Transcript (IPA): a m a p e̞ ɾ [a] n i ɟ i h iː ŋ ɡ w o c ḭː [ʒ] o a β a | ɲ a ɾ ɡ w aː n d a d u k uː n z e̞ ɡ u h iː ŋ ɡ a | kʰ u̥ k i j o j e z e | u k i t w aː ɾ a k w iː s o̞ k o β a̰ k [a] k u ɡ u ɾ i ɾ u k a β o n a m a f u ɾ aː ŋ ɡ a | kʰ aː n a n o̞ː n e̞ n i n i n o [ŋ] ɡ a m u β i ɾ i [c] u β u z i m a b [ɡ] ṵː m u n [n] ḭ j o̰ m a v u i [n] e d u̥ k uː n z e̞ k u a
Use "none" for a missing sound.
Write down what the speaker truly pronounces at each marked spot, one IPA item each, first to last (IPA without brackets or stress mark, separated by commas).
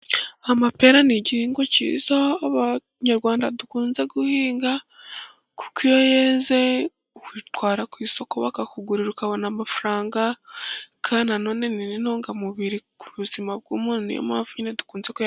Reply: a, z, a, ŋ, k, ɡ, n, n